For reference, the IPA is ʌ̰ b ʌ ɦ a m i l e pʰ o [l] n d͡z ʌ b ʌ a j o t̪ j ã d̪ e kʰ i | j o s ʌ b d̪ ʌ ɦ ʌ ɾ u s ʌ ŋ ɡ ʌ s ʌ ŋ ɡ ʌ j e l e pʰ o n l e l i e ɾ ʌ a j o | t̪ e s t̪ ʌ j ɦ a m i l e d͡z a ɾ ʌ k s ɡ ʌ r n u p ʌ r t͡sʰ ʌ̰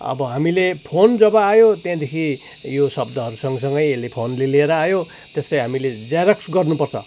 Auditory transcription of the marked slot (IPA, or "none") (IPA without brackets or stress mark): none